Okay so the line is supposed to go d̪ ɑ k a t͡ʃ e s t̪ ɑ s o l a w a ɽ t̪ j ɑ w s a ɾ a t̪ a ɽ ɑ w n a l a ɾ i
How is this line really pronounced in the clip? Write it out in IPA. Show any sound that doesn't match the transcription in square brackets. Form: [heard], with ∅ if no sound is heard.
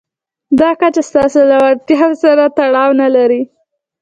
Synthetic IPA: d̪ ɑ k a t͡ʃ [a] s t̪ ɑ s o l a w a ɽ t̪ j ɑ w s a ɾ a t̪ a ɽ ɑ w n a l a ɾ i